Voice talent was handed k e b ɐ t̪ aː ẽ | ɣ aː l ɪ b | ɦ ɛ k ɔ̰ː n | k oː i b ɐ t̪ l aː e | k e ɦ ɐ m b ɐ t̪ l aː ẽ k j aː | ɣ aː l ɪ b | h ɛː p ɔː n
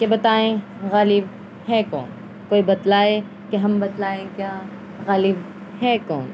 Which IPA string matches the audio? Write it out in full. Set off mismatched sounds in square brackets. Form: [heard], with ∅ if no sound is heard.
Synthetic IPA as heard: k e b ɐ t̪ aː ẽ | ɣ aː l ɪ b | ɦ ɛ k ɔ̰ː n | k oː i b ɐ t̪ l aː e | k e ɦ ɐ m b ɐ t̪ l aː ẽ k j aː | ɣ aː l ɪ b | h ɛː [k] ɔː n